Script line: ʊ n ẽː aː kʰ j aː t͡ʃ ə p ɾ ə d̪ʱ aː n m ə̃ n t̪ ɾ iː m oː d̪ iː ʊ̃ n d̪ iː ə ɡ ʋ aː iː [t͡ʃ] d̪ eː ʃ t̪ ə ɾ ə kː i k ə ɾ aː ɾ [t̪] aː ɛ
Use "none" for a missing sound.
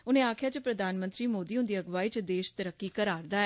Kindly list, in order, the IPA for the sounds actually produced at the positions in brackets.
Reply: t͡ʃ, d̪

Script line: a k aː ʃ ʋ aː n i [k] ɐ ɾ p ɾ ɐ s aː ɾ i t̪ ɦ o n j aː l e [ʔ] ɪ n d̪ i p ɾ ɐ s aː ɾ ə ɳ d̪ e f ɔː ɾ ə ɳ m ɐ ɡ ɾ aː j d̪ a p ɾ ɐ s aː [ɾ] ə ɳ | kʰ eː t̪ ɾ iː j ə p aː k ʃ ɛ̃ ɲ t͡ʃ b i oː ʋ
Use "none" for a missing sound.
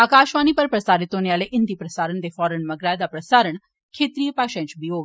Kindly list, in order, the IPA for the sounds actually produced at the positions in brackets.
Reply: p, ʔ, ɾ

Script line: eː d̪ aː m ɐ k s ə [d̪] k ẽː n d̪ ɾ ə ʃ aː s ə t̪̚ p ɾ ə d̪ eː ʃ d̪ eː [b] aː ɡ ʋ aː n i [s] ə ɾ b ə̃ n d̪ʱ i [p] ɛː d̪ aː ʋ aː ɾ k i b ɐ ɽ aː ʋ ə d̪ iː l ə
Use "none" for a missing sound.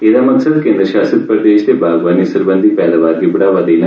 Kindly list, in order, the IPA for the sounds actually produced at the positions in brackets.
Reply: d̪, b, s, p

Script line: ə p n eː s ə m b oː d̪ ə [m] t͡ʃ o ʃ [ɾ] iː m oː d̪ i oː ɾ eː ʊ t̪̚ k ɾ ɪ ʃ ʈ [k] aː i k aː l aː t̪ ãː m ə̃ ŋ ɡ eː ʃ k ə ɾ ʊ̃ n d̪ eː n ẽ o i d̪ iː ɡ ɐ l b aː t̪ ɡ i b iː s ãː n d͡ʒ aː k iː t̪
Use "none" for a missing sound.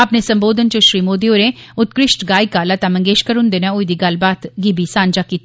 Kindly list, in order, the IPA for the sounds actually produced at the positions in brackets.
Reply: n, ɾ, ɡ

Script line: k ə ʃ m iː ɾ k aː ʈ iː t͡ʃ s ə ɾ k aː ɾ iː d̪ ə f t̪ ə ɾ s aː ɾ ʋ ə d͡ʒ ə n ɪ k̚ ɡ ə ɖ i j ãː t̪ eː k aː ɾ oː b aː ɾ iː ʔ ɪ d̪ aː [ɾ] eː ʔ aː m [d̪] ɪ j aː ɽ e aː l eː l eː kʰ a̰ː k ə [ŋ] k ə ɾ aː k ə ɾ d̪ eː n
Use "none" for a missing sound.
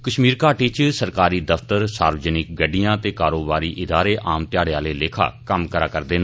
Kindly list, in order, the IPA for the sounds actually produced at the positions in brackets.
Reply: ɾ, t̪, m

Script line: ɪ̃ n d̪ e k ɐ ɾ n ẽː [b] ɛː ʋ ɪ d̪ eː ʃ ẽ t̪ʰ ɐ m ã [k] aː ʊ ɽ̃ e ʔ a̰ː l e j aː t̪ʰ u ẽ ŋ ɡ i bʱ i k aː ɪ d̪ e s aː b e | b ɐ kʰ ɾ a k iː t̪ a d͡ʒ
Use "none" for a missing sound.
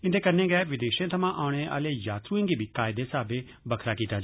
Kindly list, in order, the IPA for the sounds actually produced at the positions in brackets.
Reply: ɡ, ʔ

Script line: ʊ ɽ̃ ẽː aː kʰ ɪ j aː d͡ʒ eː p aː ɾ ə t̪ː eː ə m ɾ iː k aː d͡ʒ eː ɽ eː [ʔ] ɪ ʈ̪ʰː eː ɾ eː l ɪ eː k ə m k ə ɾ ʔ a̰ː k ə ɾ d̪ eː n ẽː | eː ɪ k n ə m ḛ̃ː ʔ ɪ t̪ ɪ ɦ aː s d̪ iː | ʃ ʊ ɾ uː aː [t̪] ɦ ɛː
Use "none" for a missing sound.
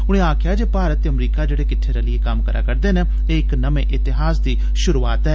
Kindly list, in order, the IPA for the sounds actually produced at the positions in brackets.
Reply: k, t̪

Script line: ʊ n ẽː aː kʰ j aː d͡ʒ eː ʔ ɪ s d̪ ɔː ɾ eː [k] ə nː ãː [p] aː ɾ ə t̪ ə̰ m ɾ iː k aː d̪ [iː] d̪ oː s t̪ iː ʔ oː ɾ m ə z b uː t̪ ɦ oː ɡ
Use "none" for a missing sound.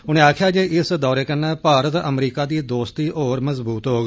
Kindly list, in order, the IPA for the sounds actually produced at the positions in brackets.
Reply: k, p, iː

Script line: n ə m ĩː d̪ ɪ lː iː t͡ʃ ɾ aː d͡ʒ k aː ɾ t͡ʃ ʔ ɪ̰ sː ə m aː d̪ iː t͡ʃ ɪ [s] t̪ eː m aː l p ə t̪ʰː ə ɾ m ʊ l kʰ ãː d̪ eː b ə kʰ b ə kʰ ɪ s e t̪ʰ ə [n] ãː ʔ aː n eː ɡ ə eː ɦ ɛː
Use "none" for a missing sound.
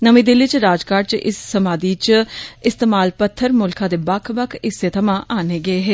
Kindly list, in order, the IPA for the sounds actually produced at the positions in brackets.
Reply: s, m

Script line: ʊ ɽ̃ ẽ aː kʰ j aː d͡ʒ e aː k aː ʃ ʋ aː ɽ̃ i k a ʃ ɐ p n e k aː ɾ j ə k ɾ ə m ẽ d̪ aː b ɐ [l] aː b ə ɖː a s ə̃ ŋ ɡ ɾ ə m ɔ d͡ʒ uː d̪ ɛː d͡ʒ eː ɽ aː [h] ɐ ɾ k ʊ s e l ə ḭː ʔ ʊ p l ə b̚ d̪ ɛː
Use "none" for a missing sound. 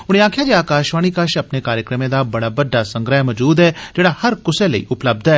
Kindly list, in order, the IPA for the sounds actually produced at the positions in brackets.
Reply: ɽ, h

